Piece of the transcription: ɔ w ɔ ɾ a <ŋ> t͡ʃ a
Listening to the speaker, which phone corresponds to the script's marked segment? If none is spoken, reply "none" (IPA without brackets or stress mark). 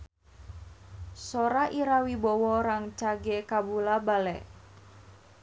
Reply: ŋ